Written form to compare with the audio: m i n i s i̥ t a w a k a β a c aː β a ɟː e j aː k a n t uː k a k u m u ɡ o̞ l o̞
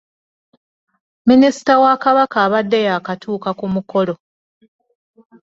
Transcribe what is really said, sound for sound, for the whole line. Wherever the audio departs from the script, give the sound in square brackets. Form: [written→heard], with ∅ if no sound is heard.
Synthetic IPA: m i n i s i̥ t a w a k a β a [c→k] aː β a [ɟː→dː] e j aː k a [n→∅] t uː k a k u m u [ɡ→k] o̞ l o̞